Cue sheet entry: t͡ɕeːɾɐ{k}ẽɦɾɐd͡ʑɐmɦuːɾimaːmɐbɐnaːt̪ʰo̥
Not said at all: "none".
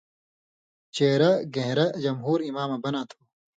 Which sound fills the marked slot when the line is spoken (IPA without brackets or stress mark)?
ɡ